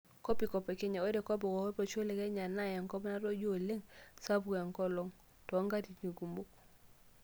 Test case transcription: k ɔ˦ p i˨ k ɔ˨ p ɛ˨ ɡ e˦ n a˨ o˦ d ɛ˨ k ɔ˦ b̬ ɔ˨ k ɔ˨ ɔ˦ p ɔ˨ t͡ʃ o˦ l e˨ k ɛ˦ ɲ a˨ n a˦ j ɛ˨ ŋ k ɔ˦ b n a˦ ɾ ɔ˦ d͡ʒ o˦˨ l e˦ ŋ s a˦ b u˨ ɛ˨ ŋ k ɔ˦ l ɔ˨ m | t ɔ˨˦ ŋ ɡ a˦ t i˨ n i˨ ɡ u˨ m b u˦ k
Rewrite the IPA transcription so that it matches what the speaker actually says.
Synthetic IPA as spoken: k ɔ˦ p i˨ k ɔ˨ p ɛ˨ k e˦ ɲ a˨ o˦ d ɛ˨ k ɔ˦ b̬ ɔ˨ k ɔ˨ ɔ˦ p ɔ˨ t͡ʃ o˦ l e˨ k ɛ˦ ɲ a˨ n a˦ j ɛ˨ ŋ k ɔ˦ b n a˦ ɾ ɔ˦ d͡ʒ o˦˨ l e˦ ŋ s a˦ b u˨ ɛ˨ ŋ k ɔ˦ l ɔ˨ ŋ | t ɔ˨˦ ŋ ɡ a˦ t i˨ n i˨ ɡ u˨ m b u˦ k